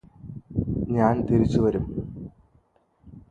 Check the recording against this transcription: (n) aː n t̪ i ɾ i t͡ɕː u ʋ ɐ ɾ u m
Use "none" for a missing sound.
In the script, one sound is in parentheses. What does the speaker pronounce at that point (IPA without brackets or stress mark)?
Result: ɲ